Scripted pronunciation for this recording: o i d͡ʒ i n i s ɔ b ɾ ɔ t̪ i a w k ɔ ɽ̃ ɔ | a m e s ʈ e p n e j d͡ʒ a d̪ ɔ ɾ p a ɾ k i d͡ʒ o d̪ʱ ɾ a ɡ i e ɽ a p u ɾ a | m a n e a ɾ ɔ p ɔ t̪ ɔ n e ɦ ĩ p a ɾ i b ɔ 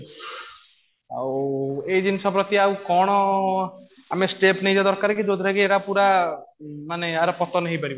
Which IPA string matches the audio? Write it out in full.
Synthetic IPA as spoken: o e d͡ʒ i n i s ɔ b ɾ ɔ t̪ i a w k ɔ ɽ̃ ɔ | a m e s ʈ e p n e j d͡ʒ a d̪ ɔ ɾ k a ɾ k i d͡ʒ o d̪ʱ ɾ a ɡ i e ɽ a p u ɾ a | m a n e a ɾ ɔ p ɔ t̪ ɔ n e ɦ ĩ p a ɾ i b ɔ

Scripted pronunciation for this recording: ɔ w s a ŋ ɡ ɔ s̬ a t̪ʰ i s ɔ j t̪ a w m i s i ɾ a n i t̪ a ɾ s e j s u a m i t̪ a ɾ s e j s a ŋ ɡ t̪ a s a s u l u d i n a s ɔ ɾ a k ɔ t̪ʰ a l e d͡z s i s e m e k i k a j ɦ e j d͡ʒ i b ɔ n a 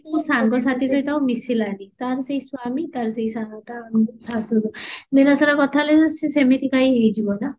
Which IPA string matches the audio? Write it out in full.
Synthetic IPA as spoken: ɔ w s a ŋ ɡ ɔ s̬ a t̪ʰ i s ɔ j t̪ a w m i s i l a n i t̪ a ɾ s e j s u a m i t̪ a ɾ s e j s a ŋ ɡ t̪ a s a s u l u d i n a s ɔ ɾ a k ɔ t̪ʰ a l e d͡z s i s e m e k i k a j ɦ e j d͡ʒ i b ɔ n a

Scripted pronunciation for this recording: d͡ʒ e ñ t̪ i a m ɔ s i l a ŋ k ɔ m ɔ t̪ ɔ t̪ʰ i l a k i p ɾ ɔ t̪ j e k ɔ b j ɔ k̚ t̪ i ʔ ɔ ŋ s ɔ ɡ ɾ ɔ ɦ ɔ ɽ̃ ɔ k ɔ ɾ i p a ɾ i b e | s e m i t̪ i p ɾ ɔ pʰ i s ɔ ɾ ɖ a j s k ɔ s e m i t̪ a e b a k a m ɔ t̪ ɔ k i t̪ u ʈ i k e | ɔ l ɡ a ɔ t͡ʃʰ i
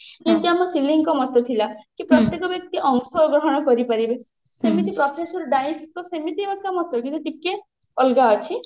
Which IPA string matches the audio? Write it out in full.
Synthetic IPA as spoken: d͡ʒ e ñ t̪ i a m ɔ s i l i ŋ k ɔ m ɔ t̪ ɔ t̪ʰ i l a k i p ɾ ɔ t̪ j e k ɔ b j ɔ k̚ t̪ i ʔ ɔ ŋ s ɔ ɡ ɾ ɔ ɦ ɔ ɽ̃ ɔ k ɔ ɾ i p a ɾ i b e | s e m i t̪ i p ɾ ɔ pʰ e s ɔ ɾ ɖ a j s k ɔ s e m i t̪ i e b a k a m ɔ t̪ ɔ k i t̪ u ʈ i k e | ɔ l ɡ a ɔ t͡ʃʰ i

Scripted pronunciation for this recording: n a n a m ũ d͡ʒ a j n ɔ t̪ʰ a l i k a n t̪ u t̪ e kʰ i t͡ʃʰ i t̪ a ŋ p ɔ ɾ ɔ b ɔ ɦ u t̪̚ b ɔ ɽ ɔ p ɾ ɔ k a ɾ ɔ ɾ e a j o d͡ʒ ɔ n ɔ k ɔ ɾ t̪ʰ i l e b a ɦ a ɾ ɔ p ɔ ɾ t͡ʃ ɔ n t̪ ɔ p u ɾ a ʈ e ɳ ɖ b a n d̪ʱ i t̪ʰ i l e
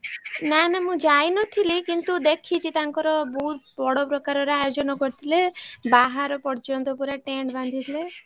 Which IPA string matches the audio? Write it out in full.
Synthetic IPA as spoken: n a n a m ũ d͡ʒ a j n ɔ t̪ʰ i l i k i n t̪ u d̪ e kʰ i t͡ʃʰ i t̪ a ŋ k ɔ ɾ ɔ b ɔ ɦ u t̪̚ b ɔ ɽ ɔ p ɾ ɔ k a ɾ ɔ ɾ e a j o d͡ʒ ɔ n ɔ k ɔ ɾ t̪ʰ i l e b a ɦ a ɾ ɔ p ɔ ɾ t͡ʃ ɔ n t̪ ɔ p u ɾ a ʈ e ɳ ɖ b a n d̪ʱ i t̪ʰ i l e

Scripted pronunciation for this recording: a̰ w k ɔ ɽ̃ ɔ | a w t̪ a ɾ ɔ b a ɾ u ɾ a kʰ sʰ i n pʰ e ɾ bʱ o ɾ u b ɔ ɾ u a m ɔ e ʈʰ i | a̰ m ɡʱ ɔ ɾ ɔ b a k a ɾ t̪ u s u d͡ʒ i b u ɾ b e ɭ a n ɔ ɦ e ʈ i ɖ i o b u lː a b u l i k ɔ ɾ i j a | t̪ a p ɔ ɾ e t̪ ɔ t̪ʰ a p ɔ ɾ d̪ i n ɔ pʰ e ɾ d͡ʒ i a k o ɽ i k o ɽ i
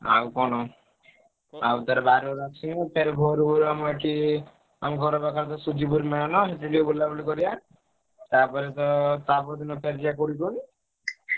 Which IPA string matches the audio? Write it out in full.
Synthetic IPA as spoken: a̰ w k ɔ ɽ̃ ɔ | a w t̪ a ɾ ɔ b a ɾ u ɾ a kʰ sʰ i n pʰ e ɾ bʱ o ɾ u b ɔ ɾ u a m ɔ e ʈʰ i | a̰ m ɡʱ ɔ ɾ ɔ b a k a ɾ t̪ ɔ s u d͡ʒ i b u ɾ m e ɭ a n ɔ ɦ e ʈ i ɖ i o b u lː a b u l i k ɔ ɾ i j a | t̪ a p ɔ ɾ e t̪ ɔ t̪ a p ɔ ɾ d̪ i n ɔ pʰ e ɾ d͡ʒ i a k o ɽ i k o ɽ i

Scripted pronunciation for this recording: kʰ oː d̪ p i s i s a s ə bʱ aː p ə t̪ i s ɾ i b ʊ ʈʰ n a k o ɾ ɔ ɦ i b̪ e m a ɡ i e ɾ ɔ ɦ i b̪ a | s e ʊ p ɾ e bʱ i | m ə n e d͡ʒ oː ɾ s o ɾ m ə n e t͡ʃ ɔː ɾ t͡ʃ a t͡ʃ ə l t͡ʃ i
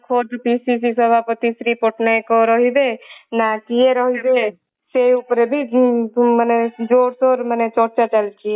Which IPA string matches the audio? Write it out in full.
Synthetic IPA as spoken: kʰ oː d̪ p i s i s i s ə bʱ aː p ə t̪ i s ɾ i p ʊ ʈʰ n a k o ɾ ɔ ɦ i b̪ e n a k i e ɾ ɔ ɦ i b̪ e | s e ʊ p ɾ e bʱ i | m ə n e d͡ʒ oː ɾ s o ɾ m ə n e t͡ʃ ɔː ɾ t͡ʃ a t͡ʃ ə l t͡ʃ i

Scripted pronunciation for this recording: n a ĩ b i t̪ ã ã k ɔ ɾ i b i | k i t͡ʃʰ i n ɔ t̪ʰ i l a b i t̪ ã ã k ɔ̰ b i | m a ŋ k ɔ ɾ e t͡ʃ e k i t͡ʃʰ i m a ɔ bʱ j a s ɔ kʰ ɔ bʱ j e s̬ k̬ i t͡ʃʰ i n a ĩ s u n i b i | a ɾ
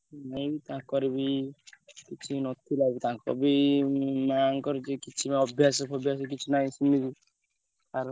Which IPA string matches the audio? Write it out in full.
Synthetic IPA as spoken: n a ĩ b i t̪ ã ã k ɔ ɾ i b i | k i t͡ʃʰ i n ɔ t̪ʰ i l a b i t̪ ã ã k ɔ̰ b i | m a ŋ k ɔ ɾ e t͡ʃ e k i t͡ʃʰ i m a ɔ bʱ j a s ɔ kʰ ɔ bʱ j a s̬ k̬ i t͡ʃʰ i n a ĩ s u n i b i | a ɾ

